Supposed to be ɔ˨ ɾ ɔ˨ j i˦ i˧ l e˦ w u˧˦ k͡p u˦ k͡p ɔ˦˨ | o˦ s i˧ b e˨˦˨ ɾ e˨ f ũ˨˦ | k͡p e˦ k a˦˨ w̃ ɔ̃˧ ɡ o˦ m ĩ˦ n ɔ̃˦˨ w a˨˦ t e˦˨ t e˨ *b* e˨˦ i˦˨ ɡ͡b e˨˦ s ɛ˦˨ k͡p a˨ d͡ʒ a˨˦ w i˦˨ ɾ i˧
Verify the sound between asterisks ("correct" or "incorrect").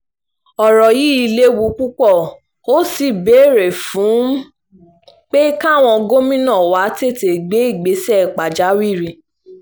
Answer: incorrect